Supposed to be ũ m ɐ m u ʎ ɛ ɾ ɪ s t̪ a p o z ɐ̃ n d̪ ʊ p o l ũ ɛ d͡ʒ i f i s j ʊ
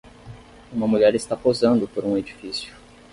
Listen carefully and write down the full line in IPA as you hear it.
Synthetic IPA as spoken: ũ m ɐ m u ʎ ɛ ɾ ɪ s t̪ a p o z ɐ̃ n d̪ ʊ p o ɾ ũ e d͡ʒ i f i s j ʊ